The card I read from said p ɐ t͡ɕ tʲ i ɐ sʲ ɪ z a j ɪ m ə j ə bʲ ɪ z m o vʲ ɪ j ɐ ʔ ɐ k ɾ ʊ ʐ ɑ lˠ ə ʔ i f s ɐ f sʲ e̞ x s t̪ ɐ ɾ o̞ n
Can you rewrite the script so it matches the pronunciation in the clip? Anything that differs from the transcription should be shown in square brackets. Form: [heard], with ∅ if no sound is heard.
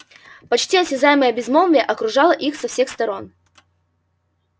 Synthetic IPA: p ɐ t͡ɕ tʲ i ɐ sʲ ɪ z a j ɪ m ə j ə bʲ ɪ z m o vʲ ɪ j [ə] ʔ ɐ k ɾ ʊ ʐ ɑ lˠ ə ʔ i [x] s ɐ f sʲ e̞ x s t̪ ɐ ɾ o̞ n